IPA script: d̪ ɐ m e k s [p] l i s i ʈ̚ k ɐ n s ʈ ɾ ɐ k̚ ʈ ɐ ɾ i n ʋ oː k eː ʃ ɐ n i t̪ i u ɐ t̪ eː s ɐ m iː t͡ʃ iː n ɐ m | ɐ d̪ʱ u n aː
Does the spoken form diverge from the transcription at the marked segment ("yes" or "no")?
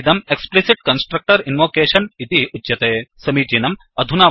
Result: no